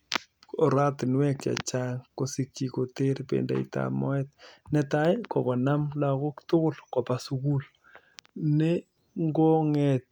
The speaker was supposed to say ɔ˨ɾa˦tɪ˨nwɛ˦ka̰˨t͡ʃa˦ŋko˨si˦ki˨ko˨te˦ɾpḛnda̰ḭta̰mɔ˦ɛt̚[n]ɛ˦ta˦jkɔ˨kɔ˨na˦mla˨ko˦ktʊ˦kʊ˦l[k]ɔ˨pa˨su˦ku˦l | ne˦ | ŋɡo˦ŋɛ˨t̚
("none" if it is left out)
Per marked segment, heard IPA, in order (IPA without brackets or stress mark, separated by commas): n, k